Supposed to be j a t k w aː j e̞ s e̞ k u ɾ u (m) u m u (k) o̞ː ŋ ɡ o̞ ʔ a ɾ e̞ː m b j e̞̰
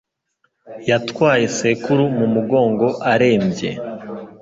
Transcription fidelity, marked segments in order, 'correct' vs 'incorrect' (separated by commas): correct, incorrect